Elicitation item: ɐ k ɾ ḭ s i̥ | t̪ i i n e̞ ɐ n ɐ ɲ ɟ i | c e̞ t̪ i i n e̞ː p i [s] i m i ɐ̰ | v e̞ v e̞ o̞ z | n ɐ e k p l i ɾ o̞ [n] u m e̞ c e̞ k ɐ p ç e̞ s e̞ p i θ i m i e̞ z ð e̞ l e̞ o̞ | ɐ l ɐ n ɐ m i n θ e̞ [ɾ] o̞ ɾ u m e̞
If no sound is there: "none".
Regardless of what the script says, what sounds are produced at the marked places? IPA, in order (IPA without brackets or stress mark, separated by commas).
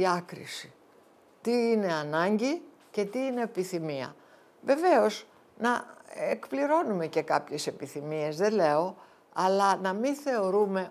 θ, n, none